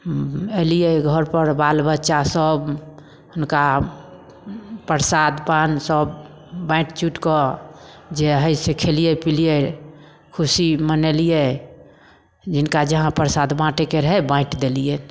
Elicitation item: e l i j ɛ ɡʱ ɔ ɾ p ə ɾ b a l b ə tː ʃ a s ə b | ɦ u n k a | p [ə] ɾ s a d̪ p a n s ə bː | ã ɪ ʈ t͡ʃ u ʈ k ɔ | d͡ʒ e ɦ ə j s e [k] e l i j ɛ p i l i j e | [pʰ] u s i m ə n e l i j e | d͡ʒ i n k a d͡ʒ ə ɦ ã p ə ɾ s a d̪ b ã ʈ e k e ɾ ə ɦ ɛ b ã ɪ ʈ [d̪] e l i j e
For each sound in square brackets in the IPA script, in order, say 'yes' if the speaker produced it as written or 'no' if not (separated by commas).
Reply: yes, no, no, yes